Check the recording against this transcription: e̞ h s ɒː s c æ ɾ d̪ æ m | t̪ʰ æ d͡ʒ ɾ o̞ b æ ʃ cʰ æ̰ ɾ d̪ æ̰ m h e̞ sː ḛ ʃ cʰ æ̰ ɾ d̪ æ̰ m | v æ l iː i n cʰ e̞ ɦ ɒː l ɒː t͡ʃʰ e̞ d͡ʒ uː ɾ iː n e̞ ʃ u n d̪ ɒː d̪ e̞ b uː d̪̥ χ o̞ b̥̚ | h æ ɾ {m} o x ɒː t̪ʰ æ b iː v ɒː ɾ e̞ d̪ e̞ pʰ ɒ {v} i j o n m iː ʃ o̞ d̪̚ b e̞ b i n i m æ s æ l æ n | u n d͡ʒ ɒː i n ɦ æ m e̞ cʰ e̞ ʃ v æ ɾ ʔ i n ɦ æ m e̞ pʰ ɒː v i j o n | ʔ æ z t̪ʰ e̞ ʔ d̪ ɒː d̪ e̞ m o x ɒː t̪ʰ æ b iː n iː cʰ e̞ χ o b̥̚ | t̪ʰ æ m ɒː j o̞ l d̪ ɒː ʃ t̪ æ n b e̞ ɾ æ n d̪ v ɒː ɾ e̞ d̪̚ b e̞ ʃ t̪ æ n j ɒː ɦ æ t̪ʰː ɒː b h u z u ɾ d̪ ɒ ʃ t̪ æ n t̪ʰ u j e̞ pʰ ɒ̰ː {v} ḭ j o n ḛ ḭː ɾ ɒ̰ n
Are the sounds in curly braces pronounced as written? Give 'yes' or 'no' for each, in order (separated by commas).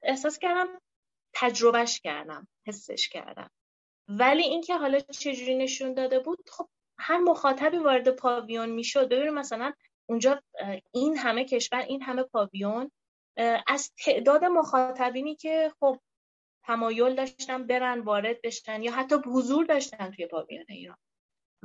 yes, yes, yes